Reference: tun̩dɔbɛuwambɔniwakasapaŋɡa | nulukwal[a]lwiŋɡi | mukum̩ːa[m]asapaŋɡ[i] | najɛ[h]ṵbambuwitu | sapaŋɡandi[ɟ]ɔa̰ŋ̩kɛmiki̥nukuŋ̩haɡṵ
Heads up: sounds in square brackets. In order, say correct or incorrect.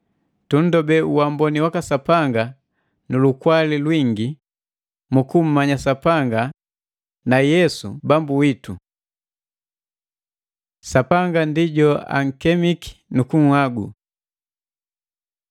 incorrect, incorrect, incorrect, incorrect, correct

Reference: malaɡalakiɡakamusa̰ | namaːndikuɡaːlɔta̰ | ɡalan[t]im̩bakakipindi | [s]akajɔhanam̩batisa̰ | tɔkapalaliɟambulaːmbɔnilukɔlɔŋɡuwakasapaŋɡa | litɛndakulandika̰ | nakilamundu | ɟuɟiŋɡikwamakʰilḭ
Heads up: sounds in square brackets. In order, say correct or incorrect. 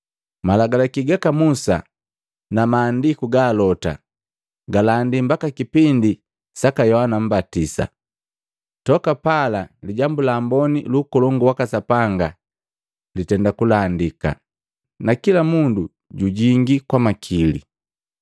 incorrect, correct

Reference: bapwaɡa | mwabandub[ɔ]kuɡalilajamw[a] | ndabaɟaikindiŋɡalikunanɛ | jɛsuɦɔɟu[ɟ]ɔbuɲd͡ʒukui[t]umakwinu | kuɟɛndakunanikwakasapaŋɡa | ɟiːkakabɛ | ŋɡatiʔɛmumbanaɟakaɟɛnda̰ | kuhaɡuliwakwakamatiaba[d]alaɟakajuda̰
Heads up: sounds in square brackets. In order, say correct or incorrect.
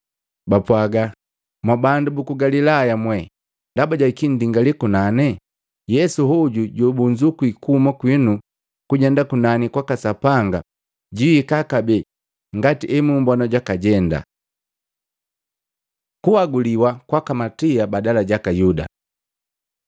incorrect, incorrect, correct, incorrect, correct

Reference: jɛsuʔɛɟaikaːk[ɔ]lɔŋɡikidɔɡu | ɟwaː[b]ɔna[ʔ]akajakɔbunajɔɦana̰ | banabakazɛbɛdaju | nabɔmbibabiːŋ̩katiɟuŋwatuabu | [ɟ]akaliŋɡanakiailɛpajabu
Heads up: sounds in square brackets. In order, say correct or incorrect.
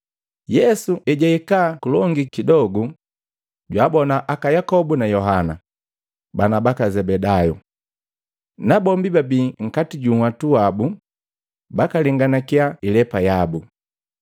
incorrect, correct, correct, incorrect

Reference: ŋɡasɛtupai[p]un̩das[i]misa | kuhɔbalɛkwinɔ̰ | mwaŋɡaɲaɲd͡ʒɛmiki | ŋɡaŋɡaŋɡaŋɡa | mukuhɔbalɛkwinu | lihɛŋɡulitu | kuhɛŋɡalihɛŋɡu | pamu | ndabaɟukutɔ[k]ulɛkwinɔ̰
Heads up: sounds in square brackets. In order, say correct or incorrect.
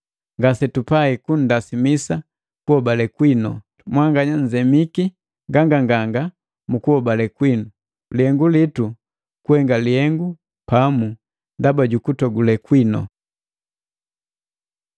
incorrect, correct, incorrect

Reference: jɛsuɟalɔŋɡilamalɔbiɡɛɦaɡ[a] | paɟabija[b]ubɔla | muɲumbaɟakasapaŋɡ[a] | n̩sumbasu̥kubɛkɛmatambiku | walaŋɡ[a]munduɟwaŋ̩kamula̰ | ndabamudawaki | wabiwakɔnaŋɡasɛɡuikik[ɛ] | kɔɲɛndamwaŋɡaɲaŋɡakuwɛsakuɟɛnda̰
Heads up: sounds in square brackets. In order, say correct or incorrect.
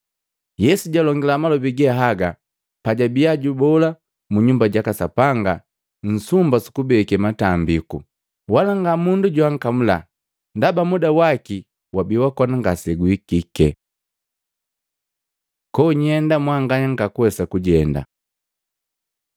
correct, incorrect, correct, correct, correct

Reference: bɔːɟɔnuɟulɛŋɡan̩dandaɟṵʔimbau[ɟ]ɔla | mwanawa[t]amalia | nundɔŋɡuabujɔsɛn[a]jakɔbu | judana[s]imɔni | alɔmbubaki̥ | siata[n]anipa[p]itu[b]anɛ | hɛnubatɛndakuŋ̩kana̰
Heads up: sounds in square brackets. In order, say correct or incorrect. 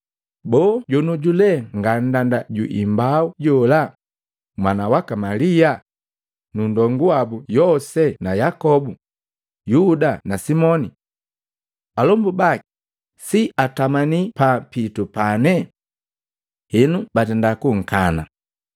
correct, incorrect, correct, correct, incorrect, correct, incorrect

